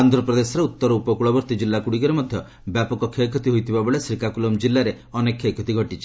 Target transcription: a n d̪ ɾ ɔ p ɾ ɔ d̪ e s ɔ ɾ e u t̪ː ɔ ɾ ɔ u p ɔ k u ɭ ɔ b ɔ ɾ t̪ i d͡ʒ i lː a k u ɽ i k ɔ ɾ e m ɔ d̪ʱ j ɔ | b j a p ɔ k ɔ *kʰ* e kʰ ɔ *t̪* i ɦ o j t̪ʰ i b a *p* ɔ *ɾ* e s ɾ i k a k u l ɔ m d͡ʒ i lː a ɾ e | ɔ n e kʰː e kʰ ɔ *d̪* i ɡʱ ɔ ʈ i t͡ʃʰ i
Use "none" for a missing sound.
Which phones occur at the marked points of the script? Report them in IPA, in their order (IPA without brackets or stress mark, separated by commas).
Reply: kʰ, t̪, b, ɭ, t̪